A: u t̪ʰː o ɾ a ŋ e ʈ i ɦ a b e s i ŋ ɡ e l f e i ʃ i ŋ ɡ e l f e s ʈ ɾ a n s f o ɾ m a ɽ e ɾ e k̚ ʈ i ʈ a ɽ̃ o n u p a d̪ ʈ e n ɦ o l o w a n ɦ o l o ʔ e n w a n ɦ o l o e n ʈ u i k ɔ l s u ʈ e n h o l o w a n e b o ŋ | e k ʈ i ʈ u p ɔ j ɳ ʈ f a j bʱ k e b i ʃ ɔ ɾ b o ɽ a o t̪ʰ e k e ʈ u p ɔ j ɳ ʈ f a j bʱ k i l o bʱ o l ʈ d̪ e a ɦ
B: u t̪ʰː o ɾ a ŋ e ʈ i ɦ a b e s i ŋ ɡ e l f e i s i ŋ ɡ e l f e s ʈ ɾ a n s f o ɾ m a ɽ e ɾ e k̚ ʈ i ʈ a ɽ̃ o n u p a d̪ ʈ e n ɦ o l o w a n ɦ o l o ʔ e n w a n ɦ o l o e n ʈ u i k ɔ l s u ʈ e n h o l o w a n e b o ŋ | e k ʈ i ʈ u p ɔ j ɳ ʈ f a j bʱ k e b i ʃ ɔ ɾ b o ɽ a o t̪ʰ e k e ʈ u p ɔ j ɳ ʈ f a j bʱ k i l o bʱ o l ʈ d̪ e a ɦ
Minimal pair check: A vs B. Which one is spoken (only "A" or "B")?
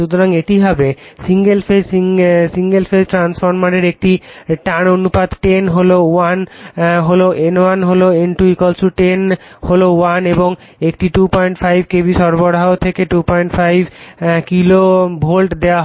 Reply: B